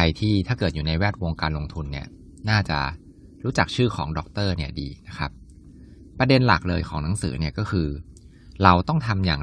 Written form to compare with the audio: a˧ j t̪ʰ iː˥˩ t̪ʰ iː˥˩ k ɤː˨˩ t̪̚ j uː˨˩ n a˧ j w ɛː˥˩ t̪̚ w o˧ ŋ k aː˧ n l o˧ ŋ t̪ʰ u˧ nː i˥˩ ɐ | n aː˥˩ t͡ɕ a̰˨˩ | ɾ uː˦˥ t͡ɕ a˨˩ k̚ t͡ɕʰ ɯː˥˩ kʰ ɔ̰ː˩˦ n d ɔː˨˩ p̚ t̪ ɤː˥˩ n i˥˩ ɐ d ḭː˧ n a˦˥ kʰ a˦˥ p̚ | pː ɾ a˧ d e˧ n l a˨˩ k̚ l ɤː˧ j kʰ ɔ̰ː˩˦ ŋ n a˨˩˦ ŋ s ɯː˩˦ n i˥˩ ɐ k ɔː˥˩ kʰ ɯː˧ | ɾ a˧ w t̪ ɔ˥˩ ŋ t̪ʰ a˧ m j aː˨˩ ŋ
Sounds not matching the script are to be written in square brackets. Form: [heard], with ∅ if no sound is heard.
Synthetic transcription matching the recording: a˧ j t̪ʰ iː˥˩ t̪ʰ [aː˥˩] k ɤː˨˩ t̪̚ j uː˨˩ n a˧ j w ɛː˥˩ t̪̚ w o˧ ŋ k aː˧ n l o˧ ŋ t̪ʰ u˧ nː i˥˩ ɐ | n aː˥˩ t͡ɕ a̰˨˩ | ɾ uː˦˥ t͡ɕ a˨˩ k̚ t͡ɕʰ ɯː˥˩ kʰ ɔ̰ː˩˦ [ŋ] d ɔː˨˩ [k̚] t̪ ɤː˥˩ n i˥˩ ɐ d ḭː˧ n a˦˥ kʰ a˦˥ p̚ | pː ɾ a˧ d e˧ n l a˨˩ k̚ l ɤː˧ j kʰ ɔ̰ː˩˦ ŋ n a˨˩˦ ŋ s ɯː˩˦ n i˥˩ ɐ k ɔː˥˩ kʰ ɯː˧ | ɾ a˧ w t̪ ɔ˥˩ ŋ t̪ʰ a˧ m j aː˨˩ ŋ